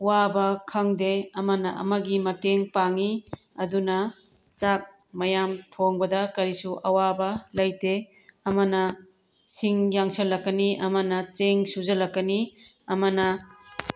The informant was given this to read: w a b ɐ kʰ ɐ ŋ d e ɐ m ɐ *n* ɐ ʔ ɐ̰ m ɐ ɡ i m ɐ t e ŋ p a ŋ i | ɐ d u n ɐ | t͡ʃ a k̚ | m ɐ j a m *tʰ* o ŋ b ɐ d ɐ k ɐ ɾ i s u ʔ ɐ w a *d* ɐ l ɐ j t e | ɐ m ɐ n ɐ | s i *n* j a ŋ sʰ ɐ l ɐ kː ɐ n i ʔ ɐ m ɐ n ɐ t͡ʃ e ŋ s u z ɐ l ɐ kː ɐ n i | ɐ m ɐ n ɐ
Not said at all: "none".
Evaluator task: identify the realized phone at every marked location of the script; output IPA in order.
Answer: n, tʰ, b, ŋ

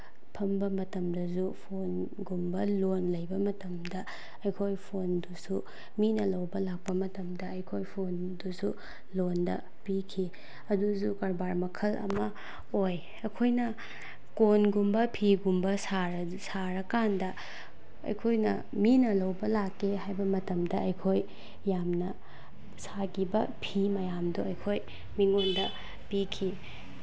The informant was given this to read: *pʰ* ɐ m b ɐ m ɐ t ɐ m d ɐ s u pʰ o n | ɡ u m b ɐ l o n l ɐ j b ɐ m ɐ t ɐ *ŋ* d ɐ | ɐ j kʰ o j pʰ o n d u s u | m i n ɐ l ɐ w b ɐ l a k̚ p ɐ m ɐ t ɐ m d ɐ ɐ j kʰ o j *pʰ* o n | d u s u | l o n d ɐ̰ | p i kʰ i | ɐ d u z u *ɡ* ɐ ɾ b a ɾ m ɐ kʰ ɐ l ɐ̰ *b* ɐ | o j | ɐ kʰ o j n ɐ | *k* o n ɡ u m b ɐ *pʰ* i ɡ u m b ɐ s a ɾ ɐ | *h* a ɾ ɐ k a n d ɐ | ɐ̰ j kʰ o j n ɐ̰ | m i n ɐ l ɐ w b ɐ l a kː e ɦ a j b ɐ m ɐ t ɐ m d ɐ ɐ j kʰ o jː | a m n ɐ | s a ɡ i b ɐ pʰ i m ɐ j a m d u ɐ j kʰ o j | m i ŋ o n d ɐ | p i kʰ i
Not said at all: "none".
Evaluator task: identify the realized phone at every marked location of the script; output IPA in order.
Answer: pʰ, m, pʰ, k, m, k, pʰ, s

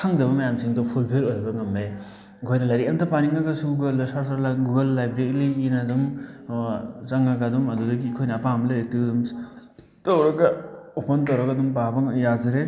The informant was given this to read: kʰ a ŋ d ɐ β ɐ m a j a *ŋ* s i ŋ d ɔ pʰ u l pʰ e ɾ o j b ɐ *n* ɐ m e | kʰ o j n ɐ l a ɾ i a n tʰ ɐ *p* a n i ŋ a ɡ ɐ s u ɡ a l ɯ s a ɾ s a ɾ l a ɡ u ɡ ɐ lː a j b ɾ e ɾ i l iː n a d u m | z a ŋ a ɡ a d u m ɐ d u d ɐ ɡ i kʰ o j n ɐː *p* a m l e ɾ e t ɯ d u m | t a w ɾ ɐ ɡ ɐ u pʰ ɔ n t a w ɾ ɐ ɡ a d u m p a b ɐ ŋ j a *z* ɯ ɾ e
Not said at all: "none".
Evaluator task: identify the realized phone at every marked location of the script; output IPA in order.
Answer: m, ŋ, p, p, z

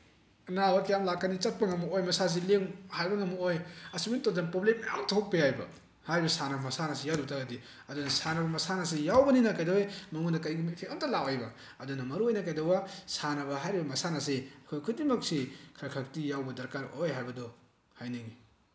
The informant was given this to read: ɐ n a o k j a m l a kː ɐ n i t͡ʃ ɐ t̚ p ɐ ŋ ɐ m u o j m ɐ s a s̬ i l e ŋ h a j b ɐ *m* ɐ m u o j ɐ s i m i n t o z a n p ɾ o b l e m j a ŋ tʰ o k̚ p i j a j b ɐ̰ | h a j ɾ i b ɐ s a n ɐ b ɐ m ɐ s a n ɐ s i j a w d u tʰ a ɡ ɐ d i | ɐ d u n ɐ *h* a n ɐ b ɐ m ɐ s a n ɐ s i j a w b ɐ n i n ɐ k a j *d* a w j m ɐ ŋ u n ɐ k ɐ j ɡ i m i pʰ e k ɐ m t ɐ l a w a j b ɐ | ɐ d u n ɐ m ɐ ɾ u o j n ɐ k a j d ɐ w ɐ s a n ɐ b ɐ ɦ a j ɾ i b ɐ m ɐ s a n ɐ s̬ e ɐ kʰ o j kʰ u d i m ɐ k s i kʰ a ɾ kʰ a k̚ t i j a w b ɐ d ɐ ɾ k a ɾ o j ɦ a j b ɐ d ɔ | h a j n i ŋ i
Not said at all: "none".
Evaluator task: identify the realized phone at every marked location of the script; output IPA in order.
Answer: ŋ, s, d

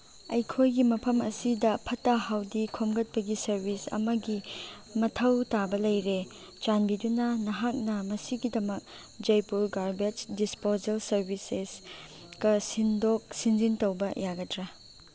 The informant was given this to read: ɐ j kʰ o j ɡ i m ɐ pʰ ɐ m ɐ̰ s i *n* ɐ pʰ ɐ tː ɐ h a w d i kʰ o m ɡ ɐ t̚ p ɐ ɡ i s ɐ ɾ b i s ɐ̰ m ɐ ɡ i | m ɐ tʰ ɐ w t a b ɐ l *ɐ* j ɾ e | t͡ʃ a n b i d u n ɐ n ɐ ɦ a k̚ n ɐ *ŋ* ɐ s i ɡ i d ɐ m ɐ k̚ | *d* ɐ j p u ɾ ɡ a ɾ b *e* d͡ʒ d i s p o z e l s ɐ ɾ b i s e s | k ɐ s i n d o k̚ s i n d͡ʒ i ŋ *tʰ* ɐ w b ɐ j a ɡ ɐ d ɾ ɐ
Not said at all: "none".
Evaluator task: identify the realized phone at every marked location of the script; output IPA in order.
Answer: d, ɐ, m, d͡ʒ, e, t

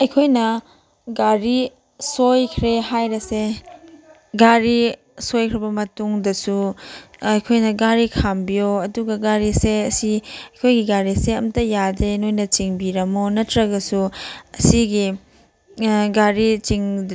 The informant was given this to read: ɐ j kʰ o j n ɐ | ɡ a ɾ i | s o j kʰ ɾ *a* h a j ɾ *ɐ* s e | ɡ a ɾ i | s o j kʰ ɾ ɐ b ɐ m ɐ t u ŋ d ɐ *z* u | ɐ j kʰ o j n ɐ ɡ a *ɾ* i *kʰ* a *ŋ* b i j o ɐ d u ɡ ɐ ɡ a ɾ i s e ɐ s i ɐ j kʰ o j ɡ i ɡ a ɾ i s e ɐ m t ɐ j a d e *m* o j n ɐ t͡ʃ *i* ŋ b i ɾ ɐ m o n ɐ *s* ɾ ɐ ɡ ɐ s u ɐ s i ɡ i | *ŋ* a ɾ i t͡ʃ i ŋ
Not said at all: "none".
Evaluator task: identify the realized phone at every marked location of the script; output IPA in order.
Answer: e, ɐ, s, ɾ, kʰ, m, n, i, t, ɡ

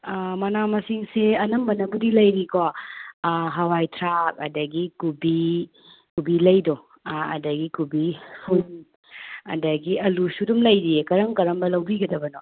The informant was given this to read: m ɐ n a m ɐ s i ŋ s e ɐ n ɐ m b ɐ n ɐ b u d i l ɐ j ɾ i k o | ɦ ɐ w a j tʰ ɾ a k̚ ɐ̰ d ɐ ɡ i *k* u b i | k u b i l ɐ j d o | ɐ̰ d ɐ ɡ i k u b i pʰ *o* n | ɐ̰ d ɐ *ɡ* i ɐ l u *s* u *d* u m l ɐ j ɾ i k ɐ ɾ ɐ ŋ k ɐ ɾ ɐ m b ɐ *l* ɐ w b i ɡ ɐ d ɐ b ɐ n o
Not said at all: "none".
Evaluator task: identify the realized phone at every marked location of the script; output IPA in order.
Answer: k, u, ɡ, s, d, l

